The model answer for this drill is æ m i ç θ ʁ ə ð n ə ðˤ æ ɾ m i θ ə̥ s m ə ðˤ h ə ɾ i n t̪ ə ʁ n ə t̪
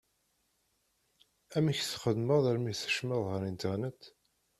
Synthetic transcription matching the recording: æ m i ç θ χ ə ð m ə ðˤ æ ɾ m i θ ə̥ ʃ m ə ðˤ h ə ɾ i n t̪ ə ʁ n ə t̪